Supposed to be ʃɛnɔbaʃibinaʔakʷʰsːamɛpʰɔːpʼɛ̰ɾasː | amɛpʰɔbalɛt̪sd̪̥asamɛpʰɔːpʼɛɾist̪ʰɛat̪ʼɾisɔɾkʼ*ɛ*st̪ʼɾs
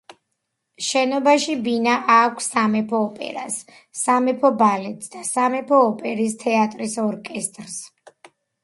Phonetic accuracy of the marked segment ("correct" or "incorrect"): correct